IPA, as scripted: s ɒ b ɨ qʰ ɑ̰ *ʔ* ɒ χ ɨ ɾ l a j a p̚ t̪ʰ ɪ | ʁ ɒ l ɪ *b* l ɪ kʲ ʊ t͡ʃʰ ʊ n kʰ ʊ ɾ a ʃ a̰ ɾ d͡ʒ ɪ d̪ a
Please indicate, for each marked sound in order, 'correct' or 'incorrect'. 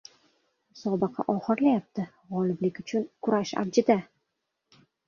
correct, correct

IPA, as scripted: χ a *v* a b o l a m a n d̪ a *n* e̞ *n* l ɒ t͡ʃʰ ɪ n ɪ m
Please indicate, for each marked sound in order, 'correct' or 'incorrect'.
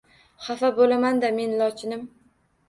incorrect: f, incorrect: m, correct

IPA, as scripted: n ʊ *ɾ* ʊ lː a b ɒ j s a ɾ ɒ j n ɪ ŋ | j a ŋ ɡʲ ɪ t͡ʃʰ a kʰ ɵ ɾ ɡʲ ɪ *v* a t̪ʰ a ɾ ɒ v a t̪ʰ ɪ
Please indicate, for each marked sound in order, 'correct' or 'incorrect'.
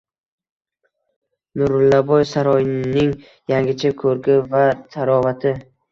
correct, correct

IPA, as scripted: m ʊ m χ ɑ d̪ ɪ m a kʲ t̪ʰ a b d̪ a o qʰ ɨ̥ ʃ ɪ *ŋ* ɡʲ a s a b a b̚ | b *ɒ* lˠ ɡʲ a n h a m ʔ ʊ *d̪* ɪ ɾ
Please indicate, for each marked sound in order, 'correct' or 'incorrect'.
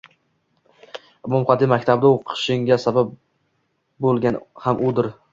correct, incorrect: o, correct

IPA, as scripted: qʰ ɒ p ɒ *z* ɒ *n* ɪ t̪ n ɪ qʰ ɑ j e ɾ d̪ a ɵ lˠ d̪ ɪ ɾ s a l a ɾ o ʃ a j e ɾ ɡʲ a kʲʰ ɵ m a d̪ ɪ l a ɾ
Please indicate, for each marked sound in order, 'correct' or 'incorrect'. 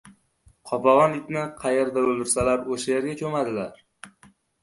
incorrect: ʁ, correct

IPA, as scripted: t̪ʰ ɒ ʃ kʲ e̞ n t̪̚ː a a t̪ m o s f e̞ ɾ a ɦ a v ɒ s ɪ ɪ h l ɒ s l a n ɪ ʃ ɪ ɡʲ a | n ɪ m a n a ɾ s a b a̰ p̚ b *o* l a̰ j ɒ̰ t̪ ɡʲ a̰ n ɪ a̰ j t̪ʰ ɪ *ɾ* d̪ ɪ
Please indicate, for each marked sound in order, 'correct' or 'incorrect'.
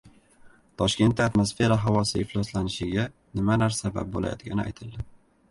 correct, incorrect: l

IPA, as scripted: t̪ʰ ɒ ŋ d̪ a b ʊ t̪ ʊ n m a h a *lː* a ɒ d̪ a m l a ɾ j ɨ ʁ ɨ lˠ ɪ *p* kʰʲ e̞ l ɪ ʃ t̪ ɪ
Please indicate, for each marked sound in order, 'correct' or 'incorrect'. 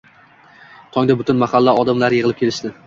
correct, correct

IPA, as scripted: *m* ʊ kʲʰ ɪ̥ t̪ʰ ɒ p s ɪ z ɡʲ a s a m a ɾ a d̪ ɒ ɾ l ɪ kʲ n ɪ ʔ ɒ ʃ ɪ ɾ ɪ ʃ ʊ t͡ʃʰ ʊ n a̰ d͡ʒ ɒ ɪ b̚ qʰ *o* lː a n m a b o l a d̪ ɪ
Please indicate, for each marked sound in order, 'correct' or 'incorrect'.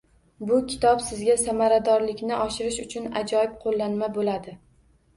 incorrect: b, correct

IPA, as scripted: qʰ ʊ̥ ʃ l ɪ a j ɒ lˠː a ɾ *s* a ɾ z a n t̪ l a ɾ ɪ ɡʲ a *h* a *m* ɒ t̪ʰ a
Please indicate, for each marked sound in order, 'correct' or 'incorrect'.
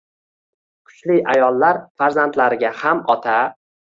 incorrect: f, correct, correct

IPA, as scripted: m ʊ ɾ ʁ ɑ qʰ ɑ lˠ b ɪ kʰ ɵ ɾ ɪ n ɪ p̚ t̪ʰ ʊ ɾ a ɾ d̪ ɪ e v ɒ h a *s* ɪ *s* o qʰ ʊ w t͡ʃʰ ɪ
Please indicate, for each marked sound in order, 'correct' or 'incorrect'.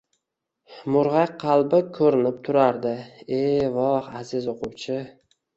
incorrect: z, incorrect: z

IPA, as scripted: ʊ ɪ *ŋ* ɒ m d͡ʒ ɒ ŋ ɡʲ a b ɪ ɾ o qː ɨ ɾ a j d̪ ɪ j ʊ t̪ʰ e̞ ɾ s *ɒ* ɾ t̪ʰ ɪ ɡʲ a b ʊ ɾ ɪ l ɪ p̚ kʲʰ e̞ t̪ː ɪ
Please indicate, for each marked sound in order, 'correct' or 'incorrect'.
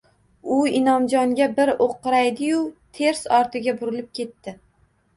incorrect: n, correct

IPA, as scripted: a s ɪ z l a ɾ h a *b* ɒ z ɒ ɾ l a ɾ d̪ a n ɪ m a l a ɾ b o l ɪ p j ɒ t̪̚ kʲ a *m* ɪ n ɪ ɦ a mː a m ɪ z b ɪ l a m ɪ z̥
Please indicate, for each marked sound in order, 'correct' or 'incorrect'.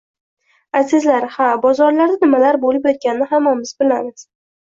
correct, incorrect: n

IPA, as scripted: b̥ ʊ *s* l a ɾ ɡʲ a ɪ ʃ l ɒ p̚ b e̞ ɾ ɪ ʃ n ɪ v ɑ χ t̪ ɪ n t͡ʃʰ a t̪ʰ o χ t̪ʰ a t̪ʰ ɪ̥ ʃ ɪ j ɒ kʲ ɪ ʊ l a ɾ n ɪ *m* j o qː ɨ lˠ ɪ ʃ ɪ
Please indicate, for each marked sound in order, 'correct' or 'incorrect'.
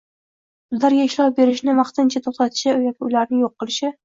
incorrect: z, incorrect: ŋ

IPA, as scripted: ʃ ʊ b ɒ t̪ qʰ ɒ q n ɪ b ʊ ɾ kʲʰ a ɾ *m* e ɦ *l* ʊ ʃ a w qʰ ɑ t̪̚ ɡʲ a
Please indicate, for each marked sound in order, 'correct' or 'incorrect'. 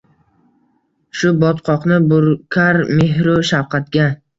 correct, incorrect: ɾ

